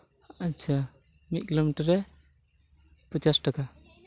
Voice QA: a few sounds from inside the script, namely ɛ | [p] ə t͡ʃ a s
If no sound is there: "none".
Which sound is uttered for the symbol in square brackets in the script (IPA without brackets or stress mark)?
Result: p